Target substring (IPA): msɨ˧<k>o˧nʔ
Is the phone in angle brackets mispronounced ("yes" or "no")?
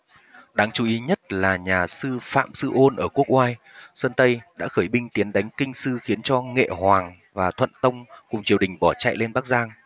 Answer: yes